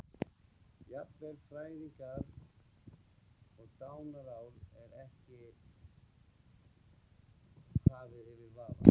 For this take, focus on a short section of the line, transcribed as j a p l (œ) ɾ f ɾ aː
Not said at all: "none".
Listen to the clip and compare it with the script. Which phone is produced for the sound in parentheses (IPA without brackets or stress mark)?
ɛ